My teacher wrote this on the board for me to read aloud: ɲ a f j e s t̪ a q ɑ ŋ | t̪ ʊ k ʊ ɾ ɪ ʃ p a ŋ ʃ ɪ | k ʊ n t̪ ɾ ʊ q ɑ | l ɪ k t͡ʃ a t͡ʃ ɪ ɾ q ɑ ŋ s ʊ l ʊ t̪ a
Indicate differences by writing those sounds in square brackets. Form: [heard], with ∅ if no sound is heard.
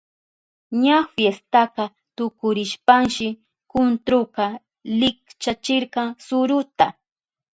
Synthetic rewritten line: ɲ a f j e s t̪ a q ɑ [∅] | t̪ ʊ k ʊ ɾ ɪ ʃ p a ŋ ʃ ɪ | k ʊ n t̪ ɾ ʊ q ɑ | l ɪ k t͡ʃ a t͡ʃ ɪ ɾ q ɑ ŋ s ʊ [ɾ] ʊ t̪ a